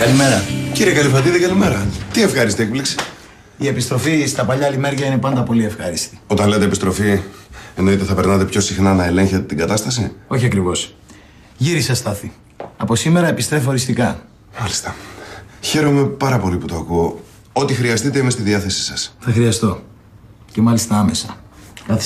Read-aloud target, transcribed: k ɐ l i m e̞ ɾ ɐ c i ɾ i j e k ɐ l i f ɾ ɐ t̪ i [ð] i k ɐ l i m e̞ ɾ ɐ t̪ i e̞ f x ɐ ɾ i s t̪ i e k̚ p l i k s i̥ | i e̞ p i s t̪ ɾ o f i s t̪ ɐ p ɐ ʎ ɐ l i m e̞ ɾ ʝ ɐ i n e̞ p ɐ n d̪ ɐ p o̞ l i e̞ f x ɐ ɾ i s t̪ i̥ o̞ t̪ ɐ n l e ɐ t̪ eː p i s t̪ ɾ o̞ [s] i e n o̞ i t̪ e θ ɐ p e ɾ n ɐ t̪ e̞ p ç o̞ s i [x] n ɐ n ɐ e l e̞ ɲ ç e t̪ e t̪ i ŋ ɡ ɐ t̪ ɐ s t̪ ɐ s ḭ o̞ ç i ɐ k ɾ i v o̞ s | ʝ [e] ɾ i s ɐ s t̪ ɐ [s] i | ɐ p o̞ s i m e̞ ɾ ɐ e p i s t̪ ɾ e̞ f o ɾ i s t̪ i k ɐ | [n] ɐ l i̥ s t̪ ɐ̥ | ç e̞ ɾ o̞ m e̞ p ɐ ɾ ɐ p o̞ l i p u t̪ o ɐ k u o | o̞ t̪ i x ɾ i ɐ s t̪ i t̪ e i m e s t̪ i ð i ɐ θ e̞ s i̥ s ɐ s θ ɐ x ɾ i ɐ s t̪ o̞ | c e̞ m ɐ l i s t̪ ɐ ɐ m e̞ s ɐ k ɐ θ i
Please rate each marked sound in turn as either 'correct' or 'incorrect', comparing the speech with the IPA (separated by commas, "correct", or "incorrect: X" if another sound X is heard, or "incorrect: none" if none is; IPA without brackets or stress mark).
correct, incorrect: f, correct, incorrect: i, incorrect: θ, incorrect: m